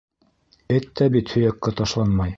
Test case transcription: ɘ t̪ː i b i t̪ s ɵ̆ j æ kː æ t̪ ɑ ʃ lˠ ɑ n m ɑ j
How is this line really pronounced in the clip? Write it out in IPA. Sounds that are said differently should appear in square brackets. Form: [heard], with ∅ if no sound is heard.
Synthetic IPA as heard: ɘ t̪ː [æ] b i t̪ [h] ɵ̆ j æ kː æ t̪ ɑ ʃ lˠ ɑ n m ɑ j

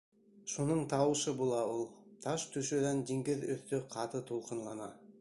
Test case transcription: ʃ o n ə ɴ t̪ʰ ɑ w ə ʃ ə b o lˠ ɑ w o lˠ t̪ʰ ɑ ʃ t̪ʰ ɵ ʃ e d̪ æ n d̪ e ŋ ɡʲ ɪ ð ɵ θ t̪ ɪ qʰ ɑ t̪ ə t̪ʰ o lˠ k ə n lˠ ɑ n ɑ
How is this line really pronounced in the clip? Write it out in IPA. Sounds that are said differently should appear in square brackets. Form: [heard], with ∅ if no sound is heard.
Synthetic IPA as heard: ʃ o n ə ɴ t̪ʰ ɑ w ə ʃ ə b o lˠ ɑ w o lˠ t̪ʰ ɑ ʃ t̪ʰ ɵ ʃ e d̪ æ n d̪ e ŋ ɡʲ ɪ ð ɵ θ t̪ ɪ qʰ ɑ t̪ ə t̪ʰ o lˠ [q] ə n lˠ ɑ n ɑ

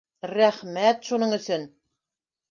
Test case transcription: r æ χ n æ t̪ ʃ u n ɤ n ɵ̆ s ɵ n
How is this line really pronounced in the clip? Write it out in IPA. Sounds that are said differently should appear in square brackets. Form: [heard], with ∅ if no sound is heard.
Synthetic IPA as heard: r æ χ [m] æ t̪ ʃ u n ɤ [ɴ] ɵ̆ s ɵ n

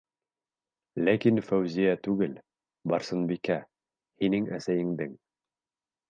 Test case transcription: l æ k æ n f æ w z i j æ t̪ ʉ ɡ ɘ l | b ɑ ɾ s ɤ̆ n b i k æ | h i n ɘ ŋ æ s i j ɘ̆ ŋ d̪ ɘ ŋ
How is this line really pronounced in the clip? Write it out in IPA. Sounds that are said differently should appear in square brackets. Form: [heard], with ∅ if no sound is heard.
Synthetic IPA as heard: l æ k [i] n f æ w z i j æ t̪ ʉ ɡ ɘ l | b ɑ ɾ s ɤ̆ n b i k æ | h i n ɘ ŋ æ s [æ] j ɘ̆ ŋ d̪ ɘ ŋ

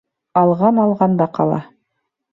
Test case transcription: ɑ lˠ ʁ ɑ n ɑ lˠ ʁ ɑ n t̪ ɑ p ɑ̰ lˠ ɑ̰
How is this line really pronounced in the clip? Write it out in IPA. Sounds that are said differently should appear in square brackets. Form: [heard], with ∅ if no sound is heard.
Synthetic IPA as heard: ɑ lˠ ʁ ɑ n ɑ lˠ ʁ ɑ n [d̪] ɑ [q] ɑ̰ lˠ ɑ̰

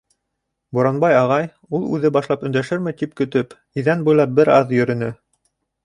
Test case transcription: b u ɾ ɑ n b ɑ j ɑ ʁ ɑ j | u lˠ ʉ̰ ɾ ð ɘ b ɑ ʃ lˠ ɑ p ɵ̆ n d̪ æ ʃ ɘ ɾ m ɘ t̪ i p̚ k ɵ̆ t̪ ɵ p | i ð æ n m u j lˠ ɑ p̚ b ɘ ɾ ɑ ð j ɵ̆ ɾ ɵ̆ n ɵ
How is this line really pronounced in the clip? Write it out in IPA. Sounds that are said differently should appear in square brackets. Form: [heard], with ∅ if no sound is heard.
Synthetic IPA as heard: b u ɾ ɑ n b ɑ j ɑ ʁ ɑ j | u lˠ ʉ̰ [∅] ð ɘ b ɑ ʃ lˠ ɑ p ɵ̆ n d̪ æ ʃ ɘ ɾ m ɘ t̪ i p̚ k ɵ̆ t̪ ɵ p | i ð æ n [b] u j lˠ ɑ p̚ b ɘ ɾ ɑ ð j ɵ̆ ɾ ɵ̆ n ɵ

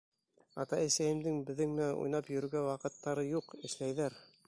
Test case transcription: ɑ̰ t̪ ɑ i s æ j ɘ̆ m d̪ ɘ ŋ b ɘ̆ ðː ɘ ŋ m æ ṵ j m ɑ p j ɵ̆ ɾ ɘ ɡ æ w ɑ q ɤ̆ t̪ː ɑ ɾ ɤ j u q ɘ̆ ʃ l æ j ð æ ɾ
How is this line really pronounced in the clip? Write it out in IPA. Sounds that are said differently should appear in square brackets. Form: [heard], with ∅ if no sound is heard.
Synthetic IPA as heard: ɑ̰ t̪ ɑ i s æ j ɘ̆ m d̪ ɘ ŋ b ɘ̆ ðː ɘ ŋ m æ ṵ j [n] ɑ p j ɵ̆ ɾ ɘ ɡ æ w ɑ q ɤ̆ t̪ː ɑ ɾ ɤ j u q ɘ̆ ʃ l æ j ð æ ɾ

